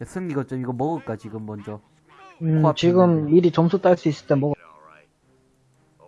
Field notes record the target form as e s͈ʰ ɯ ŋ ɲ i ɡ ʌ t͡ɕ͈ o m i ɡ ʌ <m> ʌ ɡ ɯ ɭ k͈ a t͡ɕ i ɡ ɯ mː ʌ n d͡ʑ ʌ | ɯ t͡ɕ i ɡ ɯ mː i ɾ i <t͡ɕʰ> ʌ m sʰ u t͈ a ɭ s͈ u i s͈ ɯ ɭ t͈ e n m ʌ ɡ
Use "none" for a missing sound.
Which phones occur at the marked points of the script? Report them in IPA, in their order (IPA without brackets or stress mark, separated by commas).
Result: m, t͡ɕ